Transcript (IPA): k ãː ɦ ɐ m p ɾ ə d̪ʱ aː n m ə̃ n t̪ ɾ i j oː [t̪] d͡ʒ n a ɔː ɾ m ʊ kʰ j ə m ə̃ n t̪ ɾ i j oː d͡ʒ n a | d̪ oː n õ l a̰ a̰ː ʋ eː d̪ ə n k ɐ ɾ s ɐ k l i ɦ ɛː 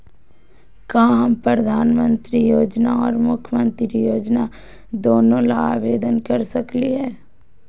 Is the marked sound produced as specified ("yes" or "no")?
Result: no